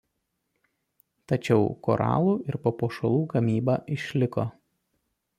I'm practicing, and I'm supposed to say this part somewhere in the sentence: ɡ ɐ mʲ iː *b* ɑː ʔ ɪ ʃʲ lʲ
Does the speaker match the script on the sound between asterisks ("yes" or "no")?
yes